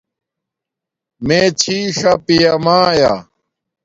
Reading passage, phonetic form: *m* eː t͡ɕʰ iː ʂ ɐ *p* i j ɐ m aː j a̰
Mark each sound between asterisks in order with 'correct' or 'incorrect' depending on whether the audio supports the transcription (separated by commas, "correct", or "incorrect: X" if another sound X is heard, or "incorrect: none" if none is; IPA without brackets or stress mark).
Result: correct, correct